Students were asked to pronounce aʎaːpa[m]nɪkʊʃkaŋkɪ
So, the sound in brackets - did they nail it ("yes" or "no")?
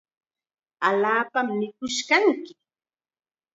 yes